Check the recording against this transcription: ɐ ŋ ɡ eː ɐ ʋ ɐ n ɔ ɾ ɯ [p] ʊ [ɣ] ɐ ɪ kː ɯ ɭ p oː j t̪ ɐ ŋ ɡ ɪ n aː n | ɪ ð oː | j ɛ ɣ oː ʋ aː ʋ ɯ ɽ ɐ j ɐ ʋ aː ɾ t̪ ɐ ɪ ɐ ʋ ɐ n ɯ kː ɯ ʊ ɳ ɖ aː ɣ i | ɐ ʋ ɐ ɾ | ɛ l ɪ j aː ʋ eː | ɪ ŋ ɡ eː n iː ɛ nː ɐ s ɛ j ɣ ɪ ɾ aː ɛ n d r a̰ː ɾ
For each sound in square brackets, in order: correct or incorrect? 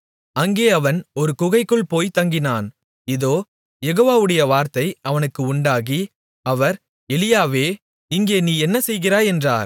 incorrect: k, correct

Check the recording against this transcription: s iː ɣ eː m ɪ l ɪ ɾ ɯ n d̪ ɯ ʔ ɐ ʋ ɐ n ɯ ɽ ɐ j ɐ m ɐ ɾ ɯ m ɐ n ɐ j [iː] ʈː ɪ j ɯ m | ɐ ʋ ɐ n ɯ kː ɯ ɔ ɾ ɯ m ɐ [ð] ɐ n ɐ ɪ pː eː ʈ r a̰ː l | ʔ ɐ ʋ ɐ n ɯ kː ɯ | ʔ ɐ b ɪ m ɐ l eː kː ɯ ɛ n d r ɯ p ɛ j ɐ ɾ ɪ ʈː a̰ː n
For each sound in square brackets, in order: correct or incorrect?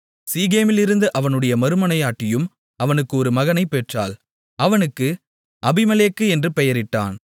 incorrect: aː, incorrect: ɣ

